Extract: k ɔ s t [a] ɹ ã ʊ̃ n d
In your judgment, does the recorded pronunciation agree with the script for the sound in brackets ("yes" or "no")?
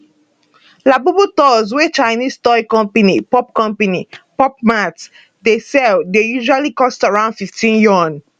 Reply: yes